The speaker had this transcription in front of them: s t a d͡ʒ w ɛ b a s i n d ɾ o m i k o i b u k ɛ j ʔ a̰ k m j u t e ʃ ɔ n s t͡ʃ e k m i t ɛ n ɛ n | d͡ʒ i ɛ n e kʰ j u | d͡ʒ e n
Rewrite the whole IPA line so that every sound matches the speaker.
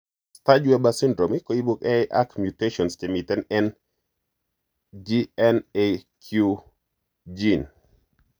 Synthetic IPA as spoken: s t a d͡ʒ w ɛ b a s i n d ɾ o m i k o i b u k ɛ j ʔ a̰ k m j u t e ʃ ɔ n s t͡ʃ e m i t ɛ n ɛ n | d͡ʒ i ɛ n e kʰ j u | d͡ʒ i n